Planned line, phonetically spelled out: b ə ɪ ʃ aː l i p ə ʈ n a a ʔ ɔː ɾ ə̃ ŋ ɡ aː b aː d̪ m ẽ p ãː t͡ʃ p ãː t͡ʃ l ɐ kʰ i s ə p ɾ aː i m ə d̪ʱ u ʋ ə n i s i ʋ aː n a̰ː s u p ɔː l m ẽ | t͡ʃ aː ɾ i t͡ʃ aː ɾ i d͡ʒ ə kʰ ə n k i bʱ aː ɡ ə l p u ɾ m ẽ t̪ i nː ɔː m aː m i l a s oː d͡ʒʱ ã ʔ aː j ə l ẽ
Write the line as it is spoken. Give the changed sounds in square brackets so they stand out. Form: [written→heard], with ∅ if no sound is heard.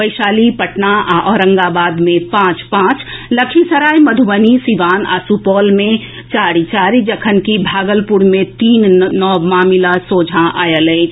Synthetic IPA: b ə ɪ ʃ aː l i p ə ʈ n a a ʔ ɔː ɾ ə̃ ŋ ɡ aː b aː d̪ m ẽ p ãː t͡ʃ p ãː t͡ʃ l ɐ kʰ i s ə [p→∅] ɾ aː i m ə d̪ʱ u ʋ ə n i s i ʋ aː n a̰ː s u p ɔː l m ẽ | t͡ʃ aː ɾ i t͡ʃ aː ɾ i d͡ʒ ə kʰ ə n k i bʱ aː ɡ ə l p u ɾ m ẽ t̪ [i→iː] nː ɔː m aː m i l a s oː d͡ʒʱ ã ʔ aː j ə l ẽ

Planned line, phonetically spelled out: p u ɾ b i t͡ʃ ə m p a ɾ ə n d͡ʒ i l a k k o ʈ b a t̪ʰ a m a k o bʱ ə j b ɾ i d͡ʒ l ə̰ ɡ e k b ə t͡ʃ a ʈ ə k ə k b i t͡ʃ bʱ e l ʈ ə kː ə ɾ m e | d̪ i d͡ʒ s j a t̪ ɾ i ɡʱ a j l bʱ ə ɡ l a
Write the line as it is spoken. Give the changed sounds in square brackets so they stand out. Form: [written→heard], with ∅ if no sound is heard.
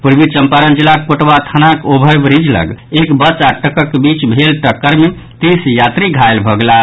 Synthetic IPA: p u ɾ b i t͡ʃ ə m p a ɾ ə n d͡ʒ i l a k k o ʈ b a t̪ʰ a [m→n] a k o bʱ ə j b ɾ i d͡ʒ l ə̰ ɡ e k b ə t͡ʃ a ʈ ə k ə k b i t͡ʃ bʱ e l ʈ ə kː ə ɾ m e | [d̪→t̪] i [d͡ʒ→∅] s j a t̪ ɾ i ɡʱ a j l bʱ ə ɡ l a

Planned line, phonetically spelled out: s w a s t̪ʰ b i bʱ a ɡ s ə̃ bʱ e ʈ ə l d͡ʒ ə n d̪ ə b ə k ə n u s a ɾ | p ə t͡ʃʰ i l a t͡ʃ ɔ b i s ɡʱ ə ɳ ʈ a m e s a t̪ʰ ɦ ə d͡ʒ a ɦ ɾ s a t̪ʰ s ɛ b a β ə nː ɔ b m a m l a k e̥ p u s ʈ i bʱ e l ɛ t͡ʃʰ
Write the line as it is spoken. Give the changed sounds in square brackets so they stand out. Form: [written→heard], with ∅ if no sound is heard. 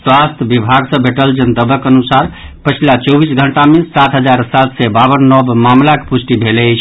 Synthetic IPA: s w a s t̪ʰ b i bʱ a ɡ s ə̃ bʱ e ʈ ə l d͡ʒ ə n d̪ ə b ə k ə n u s a ɾ | p ə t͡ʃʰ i l a t͡ʃ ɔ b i s ɡʱ ə ɳ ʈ a m e s a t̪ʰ ɦ ə d͡ʒ a [ɦ→∅] ɾ s a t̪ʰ s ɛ b a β ə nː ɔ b m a m l a k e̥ p u s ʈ i bʱ e l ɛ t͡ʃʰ

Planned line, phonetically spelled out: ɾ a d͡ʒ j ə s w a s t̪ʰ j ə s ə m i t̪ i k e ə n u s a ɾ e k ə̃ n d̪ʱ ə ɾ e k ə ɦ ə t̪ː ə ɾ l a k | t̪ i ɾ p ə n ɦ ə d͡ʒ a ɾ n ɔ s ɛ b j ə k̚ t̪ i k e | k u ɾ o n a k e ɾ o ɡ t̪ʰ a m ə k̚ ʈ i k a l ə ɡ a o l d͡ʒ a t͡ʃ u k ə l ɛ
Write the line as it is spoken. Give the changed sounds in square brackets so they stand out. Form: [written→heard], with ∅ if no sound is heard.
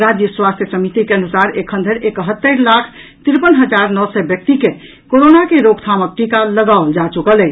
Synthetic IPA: ɾ a d͡ʒ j ə s w a s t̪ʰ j ə s ə m i t̪ i k e ə n u s a ɾ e [k→kʰ] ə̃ n d̪ʱ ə ɾ e k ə ɦ ə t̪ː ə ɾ l a [k→kʰ] | t̪ i ɾ p ə n ɦ ə d͡ʒ a ɾ n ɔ s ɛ b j ə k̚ t̪ i k e | k [u→o] ɾ o n a k e ɾ o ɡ t̪ʰ a m ə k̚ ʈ i k a l ə ɡ a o l d͡ʒ a t͡ʃ u k ə l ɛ

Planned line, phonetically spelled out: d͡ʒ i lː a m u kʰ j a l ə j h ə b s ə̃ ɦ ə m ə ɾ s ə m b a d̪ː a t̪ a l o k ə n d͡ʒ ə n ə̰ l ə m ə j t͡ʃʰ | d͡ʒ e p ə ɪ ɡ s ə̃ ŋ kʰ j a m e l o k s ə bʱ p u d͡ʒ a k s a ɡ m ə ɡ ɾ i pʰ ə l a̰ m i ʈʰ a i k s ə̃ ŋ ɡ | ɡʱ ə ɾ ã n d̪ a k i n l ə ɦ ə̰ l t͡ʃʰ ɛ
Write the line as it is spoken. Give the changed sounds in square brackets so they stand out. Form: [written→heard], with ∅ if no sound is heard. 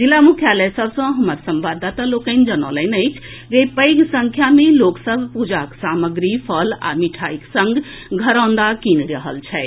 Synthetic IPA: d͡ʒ i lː a m u kʰ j a l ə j [h→s] ə b s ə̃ ɦ ə m ə ɾ s ə m b a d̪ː a t̪ a l o k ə n d͡ʒ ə n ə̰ l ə [m→n] ə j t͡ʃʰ | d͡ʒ e p ə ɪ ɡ s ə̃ ŋ kʰ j a m e l o k s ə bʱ p u d͡ʒ a k s a [ɡ→∅] m ə ɡ ɾ i pʰ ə l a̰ m i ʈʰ a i k s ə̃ ŋ ɡ | ɡʱ ə ɾ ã n d̪ a k i n [l→ɾ] ə ɦ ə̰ l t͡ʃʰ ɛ

